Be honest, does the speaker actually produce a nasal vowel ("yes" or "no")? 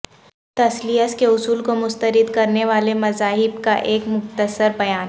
no